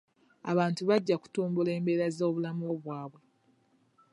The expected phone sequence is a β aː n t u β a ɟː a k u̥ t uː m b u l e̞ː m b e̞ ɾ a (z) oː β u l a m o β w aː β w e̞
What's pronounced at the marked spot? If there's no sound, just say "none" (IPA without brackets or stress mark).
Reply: z